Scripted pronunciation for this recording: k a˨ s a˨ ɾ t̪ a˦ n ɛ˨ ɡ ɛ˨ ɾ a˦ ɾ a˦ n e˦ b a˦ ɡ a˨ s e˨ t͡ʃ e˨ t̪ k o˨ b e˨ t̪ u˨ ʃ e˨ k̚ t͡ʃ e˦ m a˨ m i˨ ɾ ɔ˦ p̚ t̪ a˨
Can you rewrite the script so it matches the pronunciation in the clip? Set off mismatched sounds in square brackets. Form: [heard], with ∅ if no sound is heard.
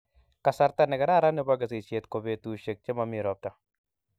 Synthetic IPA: k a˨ s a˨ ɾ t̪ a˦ n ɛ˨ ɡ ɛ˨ ɾ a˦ ɾ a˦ n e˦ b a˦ ɡ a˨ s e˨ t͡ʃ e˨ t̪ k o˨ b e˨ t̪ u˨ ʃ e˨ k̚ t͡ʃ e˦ m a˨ m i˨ ɾ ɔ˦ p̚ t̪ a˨